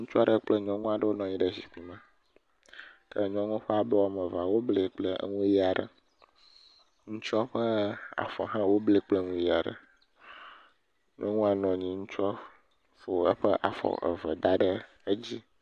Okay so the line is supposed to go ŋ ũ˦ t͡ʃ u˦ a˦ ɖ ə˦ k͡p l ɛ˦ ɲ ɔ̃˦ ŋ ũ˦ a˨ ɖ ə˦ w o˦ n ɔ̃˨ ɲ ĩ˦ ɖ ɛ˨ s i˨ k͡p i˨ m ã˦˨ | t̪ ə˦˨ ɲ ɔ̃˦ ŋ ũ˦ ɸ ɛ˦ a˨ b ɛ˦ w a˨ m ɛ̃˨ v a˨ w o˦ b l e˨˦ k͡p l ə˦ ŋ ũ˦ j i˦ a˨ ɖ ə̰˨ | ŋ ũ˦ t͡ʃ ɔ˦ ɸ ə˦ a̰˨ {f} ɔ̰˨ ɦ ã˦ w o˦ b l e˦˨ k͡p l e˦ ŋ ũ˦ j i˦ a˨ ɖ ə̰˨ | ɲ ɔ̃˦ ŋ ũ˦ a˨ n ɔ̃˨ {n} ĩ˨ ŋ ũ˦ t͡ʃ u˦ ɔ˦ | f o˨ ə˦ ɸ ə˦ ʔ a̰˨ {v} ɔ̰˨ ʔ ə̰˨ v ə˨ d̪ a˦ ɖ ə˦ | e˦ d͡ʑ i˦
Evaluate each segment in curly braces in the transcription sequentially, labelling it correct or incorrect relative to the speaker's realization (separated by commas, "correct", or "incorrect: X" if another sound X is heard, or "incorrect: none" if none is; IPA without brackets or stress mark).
correct, incorrect: ɲ, incorrect: f